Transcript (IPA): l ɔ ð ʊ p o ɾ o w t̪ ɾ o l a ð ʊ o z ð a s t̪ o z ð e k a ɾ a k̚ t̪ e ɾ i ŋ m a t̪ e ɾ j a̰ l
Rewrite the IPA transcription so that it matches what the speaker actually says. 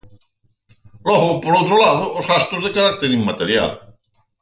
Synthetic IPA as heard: l ɔ ɣ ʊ p o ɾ o w t̪ ɾ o l a ð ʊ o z ɣ a s t̪ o z ð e k a ɾ a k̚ t̪ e ɾ i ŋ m a t̪ e ɾ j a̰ l

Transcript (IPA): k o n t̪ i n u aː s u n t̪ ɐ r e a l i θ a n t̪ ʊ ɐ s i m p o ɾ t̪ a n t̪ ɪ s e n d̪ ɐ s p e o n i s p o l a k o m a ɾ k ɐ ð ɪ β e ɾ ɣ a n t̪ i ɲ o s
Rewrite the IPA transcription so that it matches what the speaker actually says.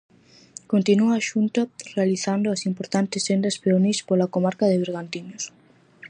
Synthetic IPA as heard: k o n t̪ i n u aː ʃ u n t̪ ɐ r e a l i θ a n d̪ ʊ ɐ s i m p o ɾ t̪ a n t̪ ɪ s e n d̪ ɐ s p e o n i s p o l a k o m a ɾ k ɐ ð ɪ β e ɾ ɣ a n t̪ i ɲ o s

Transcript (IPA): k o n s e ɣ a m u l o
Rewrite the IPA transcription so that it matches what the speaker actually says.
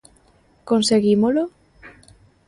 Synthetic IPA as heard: k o n s e ɣ i m o l o

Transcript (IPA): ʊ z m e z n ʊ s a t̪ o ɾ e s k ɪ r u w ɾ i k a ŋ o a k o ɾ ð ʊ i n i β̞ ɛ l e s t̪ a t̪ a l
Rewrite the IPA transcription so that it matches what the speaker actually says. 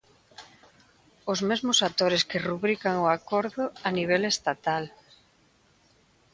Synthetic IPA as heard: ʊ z m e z m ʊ s a t̪ o ɾ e s k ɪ r u β ɾ i k a ŋ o a k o ɾ ð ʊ a n i β̞ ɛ l e s t̪ a t̪ a l

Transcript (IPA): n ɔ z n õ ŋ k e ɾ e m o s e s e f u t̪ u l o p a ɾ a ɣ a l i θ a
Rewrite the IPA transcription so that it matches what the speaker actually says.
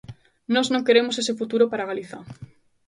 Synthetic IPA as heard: n ɔ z n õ ŋ k e ɾ e m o s e s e f u t̪ u ɾ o p a ɾ a ɣ a l i θ a

